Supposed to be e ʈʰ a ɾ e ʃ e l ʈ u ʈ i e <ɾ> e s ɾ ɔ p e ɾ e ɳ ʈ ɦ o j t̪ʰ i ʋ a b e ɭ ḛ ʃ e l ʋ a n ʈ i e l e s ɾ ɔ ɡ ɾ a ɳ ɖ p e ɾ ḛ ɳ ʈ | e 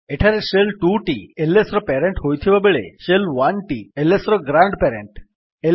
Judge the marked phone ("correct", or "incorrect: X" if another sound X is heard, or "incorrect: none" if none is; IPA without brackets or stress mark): incorrect: l